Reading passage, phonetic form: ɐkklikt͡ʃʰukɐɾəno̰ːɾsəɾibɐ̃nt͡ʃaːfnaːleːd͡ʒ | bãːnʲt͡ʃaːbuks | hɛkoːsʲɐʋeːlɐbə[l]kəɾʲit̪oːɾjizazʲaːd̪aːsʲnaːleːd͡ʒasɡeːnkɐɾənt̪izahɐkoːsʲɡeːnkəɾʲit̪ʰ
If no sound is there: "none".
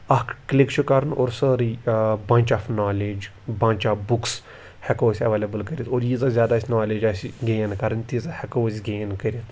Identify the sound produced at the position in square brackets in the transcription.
l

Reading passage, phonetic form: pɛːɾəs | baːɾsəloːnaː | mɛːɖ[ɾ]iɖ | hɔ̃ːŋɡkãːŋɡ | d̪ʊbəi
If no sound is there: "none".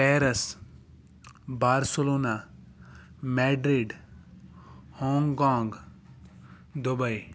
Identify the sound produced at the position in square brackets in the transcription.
ɾ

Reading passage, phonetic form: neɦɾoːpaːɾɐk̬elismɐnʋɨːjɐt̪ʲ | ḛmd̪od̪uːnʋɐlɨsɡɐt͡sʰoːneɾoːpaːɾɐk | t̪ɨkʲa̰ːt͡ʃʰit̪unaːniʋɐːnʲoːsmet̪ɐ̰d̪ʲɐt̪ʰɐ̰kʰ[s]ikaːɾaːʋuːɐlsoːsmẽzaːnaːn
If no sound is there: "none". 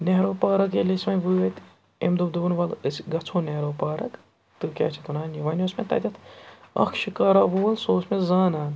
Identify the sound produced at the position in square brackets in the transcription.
ʃ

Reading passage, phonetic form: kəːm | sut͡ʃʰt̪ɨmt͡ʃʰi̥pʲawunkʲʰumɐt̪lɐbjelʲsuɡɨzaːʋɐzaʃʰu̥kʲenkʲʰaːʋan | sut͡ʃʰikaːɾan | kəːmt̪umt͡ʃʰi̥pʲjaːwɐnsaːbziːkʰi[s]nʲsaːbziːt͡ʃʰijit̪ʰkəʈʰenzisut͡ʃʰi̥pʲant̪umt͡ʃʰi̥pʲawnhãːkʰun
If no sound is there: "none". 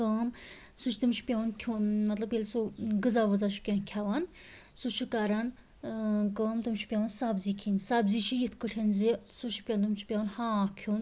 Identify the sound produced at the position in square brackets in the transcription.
none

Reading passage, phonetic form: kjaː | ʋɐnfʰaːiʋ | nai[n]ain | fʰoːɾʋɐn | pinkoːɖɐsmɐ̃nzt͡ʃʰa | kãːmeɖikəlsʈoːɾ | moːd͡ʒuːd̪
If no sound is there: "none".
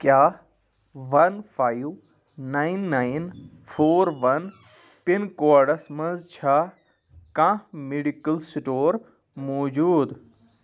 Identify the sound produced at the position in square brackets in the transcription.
nː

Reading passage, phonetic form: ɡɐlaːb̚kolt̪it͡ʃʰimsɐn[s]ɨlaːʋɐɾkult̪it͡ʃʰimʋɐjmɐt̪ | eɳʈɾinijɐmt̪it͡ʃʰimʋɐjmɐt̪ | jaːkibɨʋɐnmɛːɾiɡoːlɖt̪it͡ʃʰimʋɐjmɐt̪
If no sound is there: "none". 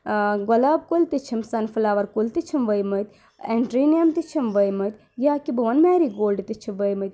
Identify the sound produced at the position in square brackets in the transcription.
f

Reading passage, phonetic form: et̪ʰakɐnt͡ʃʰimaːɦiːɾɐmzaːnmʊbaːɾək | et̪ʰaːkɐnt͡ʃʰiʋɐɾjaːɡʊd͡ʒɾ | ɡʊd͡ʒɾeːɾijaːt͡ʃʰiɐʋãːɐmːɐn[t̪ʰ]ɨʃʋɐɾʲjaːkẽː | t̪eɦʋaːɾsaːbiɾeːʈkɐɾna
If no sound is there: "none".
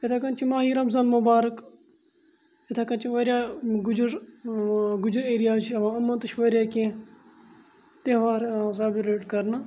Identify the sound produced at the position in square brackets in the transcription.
t̪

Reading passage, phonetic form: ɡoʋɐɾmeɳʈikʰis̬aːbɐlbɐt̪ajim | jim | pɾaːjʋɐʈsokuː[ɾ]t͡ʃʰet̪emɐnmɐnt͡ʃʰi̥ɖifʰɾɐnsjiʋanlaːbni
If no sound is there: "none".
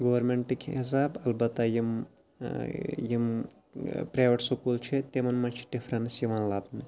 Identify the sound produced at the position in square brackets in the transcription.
l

